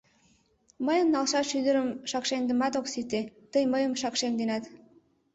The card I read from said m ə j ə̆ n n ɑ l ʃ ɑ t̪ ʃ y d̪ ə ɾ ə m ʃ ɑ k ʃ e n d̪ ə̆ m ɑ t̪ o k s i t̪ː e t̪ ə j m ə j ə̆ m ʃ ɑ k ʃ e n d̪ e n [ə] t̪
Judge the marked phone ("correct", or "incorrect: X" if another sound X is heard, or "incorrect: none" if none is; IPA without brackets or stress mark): incorrect: ɑ